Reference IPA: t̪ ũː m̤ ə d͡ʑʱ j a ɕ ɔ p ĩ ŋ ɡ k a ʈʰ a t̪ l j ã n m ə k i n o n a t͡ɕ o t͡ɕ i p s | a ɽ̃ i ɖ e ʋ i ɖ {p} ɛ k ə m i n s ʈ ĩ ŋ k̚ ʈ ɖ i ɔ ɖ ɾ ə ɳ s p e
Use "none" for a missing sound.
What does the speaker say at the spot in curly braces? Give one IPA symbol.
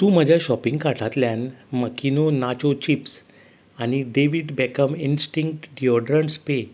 b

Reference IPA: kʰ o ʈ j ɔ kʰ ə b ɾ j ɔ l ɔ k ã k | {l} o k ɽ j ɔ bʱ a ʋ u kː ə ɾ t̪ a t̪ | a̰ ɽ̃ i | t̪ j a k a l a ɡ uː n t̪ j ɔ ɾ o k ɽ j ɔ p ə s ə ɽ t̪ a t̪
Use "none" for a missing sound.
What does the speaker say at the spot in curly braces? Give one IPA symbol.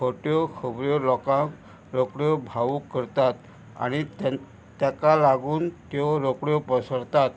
ɾ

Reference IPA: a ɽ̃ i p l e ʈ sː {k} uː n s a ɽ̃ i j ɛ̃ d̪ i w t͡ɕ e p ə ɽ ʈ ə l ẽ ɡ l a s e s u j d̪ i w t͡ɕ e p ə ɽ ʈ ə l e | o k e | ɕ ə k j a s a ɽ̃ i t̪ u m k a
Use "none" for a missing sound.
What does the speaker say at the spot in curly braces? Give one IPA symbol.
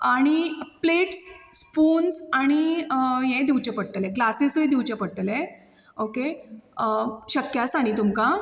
p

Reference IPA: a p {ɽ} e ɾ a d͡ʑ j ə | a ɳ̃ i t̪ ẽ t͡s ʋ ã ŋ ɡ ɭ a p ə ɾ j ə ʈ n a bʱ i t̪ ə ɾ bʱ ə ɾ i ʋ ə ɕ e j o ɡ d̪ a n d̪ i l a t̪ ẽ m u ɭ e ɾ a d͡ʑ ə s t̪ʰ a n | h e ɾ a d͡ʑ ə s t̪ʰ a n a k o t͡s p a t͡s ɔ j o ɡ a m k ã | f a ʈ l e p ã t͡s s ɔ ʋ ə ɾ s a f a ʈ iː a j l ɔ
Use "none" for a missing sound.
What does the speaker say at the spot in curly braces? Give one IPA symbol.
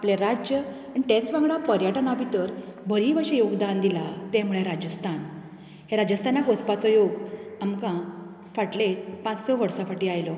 l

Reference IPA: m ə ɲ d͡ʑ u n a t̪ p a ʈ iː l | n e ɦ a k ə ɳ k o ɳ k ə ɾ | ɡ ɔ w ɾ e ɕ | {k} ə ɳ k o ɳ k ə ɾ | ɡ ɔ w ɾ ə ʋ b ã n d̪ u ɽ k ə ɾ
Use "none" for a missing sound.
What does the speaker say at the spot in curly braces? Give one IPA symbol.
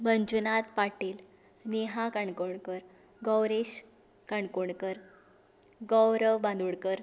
k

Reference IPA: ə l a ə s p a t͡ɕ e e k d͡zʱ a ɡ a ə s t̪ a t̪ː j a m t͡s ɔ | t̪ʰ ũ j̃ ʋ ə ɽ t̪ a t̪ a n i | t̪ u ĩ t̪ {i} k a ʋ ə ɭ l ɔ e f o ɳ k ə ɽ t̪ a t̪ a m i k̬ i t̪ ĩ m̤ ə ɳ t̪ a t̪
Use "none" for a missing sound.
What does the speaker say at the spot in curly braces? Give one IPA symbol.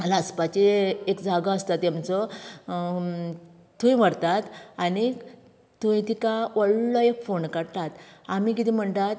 i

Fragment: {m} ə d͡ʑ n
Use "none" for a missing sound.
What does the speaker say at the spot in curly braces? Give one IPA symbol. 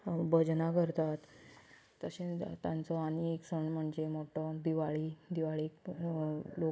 b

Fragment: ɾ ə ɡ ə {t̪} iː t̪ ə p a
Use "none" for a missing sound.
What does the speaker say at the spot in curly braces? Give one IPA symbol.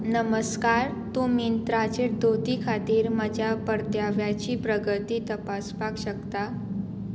t̪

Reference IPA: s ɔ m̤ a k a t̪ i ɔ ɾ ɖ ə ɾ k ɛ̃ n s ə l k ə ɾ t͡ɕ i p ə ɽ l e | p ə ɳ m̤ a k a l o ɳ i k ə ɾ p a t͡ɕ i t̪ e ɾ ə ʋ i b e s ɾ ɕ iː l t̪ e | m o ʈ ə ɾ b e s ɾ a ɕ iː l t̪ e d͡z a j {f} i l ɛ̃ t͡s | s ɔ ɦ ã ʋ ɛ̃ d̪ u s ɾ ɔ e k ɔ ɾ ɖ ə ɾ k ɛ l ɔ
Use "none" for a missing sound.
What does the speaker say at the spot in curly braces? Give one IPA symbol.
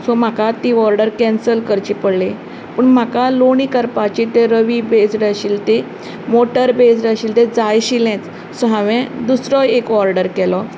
ɕ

